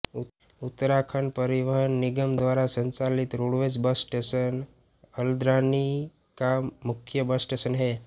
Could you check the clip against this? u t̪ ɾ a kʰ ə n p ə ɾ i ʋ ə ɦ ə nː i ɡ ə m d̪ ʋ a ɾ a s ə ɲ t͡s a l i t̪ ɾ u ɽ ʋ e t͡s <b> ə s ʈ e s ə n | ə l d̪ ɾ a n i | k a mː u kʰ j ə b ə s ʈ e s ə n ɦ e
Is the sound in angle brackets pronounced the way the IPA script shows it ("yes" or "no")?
yes